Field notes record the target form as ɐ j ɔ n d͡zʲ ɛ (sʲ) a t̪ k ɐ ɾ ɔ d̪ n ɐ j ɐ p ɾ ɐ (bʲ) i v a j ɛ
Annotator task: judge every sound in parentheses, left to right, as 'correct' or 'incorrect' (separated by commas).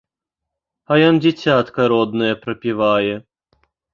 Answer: incorrect, incorrect